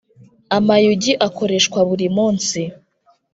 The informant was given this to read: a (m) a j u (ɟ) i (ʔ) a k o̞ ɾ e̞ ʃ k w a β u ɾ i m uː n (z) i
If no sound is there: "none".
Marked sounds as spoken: m, ɟ, ʔ, s

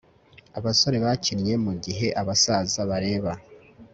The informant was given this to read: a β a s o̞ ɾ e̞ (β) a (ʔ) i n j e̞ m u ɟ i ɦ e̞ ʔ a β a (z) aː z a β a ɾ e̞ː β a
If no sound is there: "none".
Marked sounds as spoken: β, c, s

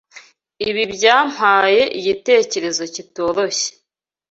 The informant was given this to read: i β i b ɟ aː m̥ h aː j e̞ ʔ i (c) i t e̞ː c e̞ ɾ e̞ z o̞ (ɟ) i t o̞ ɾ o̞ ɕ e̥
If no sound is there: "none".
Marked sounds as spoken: ɟ, c

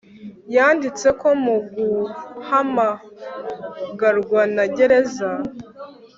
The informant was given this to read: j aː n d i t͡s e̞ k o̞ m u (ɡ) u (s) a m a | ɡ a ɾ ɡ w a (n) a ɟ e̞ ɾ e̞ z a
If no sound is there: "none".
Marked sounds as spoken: ɡ, h, n

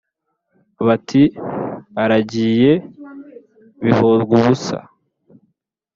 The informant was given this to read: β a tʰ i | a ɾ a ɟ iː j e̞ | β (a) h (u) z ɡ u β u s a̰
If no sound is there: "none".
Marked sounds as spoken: i, o

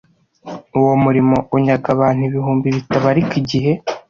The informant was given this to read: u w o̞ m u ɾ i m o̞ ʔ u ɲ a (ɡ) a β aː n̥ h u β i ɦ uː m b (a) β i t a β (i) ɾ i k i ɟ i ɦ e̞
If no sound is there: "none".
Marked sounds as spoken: ɡ, i, a

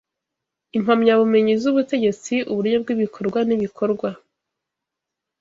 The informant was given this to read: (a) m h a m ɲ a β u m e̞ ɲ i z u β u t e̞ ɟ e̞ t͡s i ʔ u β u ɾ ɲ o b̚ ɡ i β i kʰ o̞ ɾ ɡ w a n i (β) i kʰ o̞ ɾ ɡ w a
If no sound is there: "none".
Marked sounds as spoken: i, β

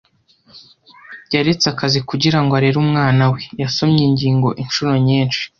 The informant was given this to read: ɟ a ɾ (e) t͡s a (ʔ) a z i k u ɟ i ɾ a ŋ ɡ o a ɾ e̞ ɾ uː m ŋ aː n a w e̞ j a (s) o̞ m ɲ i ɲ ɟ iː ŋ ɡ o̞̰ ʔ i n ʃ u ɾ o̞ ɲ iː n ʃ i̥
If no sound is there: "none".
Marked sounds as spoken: e, k, s

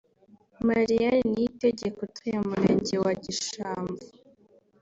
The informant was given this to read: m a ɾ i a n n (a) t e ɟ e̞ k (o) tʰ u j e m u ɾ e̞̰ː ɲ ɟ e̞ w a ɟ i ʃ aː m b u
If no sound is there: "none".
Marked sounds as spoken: i, o

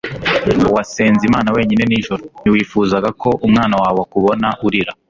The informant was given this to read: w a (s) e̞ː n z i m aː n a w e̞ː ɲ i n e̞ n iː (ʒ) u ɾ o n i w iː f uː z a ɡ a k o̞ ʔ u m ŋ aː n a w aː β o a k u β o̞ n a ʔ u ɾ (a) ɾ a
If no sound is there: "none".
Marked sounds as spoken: s, ʒ, i

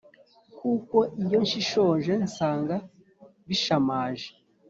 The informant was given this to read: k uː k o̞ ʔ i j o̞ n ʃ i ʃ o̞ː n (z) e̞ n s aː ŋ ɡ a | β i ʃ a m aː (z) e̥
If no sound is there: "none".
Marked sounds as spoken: ʒ, ʒ

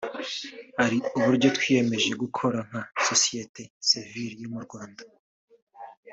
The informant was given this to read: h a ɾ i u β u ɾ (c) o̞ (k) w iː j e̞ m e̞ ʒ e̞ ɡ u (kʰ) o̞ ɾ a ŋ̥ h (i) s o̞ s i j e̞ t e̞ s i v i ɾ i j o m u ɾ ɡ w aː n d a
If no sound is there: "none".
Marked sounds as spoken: ɟ, t, kʰ, a

